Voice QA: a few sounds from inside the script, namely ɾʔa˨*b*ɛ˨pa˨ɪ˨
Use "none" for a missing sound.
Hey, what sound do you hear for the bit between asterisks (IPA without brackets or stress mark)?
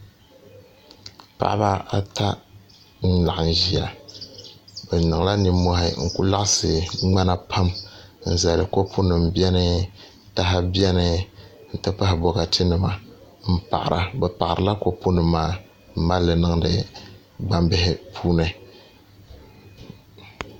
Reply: b